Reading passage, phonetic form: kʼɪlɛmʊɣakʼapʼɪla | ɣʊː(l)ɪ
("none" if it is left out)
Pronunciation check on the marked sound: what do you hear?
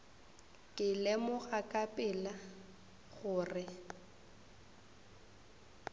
r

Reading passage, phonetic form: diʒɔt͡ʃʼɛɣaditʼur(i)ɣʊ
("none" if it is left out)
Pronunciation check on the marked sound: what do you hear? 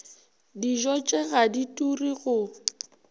i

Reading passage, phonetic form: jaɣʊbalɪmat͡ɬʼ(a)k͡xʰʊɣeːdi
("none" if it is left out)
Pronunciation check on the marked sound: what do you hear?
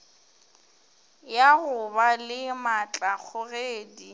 a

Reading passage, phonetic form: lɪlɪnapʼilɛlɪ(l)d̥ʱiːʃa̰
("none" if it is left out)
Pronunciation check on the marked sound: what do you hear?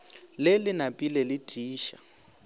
none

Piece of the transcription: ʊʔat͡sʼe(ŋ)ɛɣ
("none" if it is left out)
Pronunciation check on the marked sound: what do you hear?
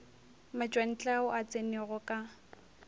n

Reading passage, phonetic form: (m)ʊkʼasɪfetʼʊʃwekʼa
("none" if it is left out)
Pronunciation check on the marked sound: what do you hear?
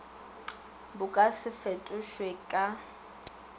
b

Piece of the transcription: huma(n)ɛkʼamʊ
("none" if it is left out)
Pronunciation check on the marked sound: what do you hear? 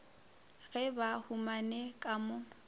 n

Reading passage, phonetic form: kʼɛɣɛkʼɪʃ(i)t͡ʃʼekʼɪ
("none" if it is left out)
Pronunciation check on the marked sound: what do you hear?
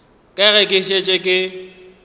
e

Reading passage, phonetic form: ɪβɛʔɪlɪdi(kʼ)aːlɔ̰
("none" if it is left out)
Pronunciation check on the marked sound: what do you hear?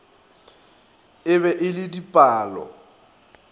pʼ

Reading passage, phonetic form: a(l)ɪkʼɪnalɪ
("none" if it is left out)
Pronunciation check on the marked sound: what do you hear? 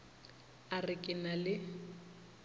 r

